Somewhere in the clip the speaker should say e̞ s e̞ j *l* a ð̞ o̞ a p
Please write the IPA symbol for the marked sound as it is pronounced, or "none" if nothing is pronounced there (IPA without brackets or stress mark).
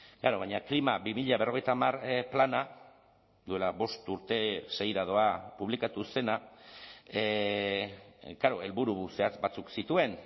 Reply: ɾ